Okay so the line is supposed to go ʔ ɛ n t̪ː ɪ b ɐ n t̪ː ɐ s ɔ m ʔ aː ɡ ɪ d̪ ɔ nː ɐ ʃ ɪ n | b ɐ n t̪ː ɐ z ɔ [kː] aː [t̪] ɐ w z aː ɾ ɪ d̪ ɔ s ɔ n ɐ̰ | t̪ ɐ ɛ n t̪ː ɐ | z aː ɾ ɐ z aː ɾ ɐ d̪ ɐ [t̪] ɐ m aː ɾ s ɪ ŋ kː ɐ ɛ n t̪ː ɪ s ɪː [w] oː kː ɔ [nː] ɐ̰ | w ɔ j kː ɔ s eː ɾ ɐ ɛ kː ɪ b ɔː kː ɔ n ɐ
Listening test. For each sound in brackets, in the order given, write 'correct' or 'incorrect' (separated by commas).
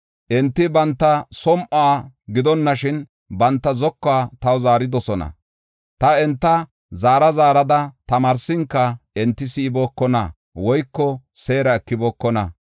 correct, correct, correct, incorrect, incorrect